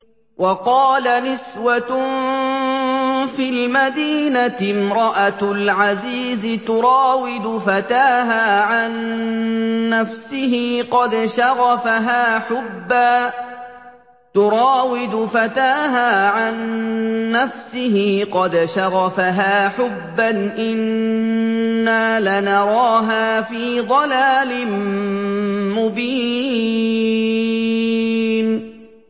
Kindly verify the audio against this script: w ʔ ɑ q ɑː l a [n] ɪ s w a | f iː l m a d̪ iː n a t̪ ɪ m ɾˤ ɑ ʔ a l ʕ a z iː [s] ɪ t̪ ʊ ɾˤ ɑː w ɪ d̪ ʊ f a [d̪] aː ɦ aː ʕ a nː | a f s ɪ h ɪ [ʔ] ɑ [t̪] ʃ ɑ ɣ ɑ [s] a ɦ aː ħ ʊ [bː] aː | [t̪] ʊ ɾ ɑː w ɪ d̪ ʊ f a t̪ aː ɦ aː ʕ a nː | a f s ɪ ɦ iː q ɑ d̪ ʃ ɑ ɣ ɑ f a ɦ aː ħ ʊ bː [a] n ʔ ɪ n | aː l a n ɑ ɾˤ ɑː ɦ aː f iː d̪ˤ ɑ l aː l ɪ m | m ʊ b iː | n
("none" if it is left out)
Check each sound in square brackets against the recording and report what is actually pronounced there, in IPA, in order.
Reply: n, z, t̪, q, d̪, f, bː, t̪, a

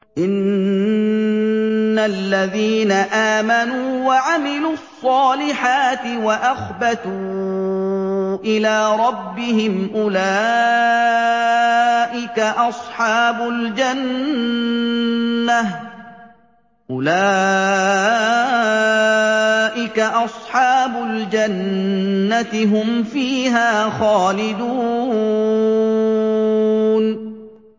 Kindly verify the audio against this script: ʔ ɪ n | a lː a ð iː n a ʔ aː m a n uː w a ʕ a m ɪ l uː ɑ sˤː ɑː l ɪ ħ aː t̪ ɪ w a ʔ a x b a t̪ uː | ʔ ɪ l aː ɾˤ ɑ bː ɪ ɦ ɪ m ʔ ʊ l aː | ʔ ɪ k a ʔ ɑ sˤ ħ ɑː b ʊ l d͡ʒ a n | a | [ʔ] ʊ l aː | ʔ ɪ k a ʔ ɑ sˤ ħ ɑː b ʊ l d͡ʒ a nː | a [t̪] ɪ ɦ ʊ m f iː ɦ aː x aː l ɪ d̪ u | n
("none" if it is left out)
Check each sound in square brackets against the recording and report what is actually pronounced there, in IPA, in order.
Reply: ʔ, t̪

